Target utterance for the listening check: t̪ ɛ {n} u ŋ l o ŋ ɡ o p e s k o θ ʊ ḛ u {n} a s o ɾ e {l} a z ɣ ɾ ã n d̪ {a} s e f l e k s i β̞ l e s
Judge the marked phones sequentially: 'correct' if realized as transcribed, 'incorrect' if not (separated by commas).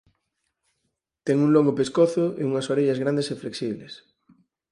incorrect, incorrect, incorrect, incorrect